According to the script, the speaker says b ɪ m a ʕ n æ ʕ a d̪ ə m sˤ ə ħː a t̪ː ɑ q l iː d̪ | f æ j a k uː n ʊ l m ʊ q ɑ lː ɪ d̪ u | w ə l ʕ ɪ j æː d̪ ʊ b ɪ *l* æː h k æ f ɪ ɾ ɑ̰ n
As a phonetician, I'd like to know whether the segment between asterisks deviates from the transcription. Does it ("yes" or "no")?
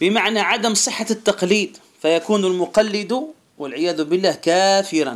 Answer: yes